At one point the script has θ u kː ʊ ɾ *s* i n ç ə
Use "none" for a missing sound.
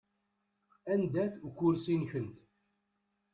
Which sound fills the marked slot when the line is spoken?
s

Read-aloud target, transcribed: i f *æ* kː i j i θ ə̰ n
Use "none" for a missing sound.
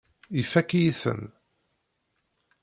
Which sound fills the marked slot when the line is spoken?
æ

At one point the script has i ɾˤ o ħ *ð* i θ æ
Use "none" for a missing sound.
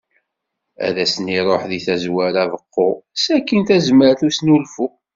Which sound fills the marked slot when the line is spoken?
ð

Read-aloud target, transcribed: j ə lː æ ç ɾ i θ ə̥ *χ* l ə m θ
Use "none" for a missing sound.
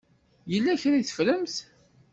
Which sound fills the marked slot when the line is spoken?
f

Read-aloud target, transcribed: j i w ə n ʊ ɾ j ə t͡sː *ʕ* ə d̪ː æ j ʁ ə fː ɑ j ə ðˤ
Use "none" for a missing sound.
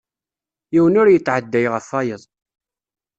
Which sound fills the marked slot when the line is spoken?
ʕ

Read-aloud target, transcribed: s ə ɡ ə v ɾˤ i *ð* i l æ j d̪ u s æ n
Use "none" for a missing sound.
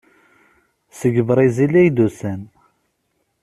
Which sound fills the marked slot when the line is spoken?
z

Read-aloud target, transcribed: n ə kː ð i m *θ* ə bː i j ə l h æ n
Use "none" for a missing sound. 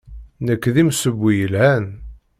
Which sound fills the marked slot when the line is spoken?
s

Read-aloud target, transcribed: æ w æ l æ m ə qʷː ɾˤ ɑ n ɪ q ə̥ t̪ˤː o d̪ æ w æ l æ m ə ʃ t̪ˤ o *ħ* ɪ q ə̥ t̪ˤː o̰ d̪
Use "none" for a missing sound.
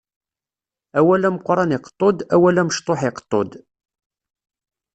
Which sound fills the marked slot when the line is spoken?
ħ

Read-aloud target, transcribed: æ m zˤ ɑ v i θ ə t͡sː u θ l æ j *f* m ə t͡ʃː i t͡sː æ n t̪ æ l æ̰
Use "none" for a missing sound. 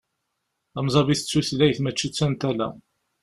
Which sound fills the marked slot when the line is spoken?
θ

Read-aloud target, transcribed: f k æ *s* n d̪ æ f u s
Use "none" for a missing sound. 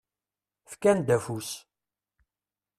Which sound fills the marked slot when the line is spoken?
none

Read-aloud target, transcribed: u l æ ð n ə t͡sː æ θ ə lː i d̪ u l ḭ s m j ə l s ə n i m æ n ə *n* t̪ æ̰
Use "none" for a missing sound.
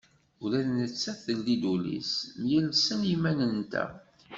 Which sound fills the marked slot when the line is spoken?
n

